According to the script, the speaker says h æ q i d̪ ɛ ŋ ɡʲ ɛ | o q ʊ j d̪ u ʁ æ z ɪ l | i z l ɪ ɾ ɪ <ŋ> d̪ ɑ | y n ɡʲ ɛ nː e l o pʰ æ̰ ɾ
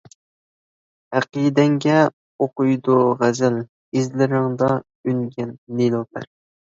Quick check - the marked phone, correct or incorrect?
correct